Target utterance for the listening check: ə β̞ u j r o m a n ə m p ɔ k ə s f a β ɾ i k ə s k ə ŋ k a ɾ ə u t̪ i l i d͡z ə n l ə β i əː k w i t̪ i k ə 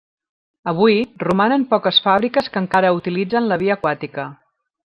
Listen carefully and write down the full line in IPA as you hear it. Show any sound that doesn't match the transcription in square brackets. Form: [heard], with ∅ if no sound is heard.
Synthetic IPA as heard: ə β̞ u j r [u] m a n ə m p ɔ k ə s f a β ɾ i k ə s k ə ŋ k a ɾ ə u t̪ i l i d͡z ə n l ə β i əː k w [a] t̪ i k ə